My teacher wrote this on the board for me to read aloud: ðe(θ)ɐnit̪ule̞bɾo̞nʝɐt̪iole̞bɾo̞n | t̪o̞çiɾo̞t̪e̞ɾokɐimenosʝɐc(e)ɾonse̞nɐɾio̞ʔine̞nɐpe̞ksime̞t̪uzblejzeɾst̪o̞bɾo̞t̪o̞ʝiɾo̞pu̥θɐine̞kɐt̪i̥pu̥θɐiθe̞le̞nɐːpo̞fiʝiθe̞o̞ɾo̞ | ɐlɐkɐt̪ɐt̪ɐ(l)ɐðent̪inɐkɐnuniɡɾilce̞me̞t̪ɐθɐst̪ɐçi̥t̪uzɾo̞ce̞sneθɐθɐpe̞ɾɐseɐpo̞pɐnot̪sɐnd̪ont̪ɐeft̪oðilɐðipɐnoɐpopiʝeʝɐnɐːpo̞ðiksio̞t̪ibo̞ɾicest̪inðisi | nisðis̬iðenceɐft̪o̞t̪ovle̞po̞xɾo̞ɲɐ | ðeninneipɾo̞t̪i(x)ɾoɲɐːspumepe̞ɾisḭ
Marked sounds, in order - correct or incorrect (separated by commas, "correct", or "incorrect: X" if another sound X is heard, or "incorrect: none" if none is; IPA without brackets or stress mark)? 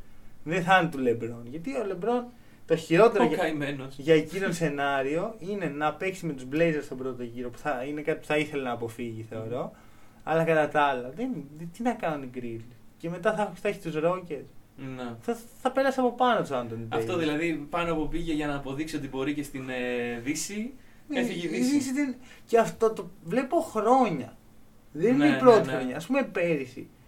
correct, incorrect: i, correct, correct